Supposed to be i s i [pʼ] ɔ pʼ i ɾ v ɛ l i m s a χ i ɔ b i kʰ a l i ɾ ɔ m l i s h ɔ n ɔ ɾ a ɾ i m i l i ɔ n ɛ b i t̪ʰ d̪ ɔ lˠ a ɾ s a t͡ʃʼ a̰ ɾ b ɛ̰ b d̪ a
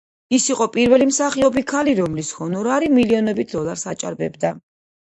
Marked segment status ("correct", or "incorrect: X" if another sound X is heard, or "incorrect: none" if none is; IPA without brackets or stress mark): incorrect: qʼ